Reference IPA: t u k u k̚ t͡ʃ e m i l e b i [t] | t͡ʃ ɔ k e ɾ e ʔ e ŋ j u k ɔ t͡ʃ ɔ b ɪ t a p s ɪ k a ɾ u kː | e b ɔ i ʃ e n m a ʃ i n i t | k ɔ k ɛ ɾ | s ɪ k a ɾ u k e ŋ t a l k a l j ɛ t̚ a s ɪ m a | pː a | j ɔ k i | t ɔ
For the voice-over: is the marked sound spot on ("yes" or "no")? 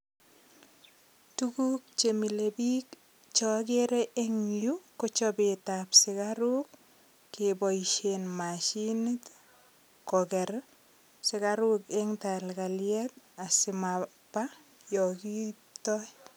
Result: no